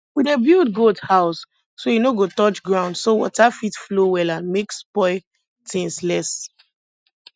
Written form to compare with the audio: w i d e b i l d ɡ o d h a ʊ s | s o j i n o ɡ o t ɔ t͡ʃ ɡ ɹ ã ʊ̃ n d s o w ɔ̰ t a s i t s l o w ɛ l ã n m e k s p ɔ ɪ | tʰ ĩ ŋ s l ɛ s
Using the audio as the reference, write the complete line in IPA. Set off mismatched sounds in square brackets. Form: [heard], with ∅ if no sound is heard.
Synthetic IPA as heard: w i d e b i l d ɡ o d h a ʊ s | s o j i n o ɡ o t ɔ t͡ʃ ɡ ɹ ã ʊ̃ n d s o w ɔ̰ t a [f] i t [f] l o w ɛ l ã n m e k s p ɔ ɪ | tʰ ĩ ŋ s l ɛ s